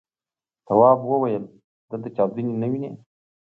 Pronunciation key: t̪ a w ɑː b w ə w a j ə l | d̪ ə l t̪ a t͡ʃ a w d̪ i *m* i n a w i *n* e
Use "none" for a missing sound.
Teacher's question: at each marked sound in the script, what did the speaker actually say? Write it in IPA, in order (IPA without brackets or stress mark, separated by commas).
n, n